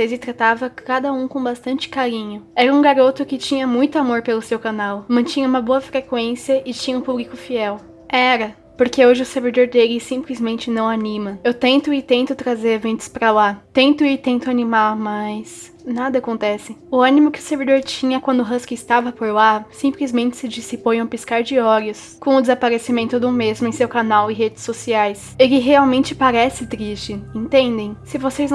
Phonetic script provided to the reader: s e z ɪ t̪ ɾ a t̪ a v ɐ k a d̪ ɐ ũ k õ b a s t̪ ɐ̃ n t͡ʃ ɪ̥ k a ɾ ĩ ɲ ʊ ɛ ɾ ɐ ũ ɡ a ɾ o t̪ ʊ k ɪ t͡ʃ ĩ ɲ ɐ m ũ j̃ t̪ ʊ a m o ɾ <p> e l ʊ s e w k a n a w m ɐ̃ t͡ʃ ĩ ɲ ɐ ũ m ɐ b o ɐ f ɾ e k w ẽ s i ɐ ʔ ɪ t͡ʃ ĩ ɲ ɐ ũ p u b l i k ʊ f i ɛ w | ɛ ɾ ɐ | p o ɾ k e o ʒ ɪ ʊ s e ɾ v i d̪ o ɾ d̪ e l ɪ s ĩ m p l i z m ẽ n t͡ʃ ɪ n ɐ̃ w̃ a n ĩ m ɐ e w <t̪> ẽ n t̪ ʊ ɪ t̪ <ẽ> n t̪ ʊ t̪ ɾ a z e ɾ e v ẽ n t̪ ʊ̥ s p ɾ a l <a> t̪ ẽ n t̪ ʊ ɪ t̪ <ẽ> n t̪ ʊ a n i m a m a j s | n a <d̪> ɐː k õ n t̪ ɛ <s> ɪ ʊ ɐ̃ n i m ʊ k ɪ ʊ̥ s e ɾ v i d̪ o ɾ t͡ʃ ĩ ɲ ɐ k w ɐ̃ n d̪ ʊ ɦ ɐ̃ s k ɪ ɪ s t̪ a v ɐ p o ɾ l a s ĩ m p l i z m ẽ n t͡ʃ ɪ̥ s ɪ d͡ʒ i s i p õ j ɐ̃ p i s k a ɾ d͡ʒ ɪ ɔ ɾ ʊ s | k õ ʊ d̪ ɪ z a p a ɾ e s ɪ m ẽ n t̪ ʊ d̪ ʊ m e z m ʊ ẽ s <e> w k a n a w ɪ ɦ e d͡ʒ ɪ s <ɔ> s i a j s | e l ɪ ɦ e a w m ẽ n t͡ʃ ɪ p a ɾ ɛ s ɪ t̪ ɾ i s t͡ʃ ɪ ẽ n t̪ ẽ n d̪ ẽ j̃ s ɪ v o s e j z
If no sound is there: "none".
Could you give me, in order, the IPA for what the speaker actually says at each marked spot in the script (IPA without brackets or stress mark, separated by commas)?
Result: p, t̪, ẽ, a, ẽ, d̪, s, e, o